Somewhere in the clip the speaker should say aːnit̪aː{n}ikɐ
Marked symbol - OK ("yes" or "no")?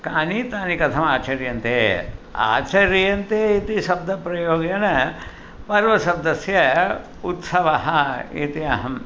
yes